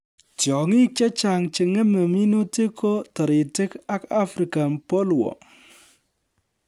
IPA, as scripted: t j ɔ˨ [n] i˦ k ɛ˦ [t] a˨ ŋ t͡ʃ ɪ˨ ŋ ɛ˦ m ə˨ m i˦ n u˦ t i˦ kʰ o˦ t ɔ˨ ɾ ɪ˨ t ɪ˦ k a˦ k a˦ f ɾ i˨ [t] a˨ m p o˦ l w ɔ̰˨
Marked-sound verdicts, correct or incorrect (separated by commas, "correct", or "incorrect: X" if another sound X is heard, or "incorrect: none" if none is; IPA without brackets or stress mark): incorrect: ŋ, incorrect: t͡ʃ, incorrect: k